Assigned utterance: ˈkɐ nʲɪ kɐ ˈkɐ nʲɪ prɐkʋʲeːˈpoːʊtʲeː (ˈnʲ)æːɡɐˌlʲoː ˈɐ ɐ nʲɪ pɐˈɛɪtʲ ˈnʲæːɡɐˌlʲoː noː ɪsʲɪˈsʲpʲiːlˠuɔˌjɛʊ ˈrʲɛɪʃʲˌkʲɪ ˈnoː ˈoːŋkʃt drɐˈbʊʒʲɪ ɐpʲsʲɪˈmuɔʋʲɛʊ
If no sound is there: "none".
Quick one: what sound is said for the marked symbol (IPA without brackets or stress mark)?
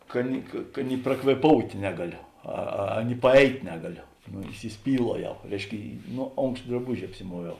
nʲ